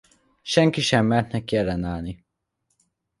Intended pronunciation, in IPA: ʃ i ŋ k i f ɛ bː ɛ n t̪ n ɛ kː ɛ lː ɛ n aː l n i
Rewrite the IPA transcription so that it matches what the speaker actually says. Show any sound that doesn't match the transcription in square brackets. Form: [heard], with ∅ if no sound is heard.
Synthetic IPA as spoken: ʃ [ɛ] ŋ k i [ʃ] ɛ [mː] ɛ n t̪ n ɛ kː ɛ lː ɛ n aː l n i